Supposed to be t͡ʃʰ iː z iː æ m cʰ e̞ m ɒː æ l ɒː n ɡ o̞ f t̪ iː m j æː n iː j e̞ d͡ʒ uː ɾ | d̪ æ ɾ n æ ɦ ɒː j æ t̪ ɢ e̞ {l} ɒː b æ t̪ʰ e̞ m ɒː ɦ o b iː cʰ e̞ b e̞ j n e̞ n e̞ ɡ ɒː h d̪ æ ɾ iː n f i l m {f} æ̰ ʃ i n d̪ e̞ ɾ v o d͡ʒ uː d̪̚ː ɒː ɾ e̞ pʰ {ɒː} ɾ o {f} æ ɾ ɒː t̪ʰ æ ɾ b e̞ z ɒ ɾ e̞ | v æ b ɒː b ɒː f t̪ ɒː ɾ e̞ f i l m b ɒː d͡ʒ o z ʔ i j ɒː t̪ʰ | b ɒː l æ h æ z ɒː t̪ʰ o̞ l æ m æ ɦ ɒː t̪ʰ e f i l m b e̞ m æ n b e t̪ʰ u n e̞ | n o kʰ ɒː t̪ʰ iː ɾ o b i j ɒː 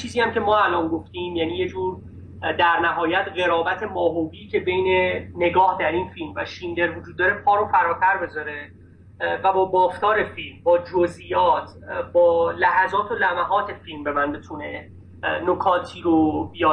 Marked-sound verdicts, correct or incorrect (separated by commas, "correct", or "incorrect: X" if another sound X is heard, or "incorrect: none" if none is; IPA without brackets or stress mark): incorrect: ɾ, incorrect: v, correct, correct